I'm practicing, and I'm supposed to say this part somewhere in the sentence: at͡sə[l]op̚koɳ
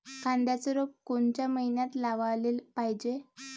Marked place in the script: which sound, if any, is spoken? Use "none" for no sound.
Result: ɾ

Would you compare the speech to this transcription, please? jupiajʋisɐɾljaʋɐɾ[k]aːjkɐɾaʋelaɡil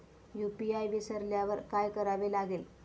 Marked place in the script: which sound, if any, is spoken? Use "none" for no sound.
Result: k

